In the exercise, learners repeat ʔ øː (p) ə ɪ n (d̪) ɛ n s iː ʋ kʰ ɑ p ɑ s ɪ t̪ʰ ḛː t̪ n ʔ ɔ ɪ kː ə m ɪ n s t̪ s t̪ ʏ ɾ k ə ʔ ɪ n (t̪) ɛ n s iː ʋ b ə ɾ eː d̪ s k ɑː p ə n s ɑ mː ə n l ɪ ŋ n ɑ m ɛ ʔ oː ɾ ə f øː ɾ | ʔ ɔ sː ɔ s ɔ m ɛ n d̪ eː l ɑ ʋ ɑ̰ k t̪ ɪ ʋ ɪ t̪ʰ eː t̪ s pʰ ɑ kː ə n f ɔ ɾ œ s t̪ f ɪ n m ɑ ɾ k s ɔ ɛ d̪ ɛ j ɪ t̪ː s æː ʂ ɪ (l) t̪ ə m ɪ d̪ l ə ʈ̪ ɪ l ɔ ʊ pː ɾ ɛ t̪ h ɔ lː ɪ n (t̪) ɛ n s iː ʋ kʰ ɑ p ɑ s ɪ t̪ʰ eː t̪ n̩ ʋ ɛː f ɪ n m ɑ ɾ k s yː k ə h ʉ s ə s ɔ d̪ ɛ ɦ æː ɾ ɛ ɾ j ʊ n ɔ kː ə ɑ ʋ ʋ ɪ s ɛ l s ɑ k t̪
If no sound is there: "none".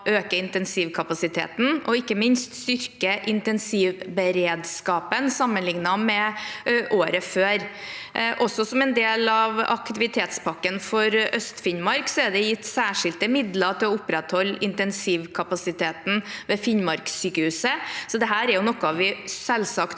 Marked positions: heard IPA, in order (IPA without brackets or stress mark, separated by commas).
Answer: k, t̪, t̪, l, t̪